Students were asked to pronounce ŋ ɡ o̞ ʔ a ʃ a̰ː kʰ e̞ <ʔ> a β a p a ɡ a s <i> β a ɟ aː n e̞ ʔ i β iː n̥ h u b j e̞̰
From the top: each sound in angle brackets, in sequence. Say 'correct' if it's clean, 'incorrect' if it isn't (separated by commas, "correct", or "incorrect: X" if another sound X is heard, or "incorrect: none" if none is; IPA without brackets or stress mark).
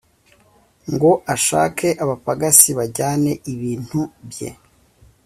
correct, correct